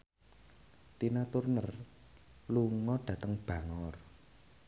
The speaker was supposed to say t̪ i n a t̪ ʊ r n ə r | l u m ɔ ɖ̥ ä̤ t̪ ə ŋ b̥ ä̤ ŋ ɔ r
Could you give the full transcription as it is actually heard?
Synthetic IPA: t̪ i n a t̪ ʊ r n ə r | l u ŋ ɔ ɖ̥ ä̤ t̪ ə ŋ b̥ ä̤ ŋ ɔ r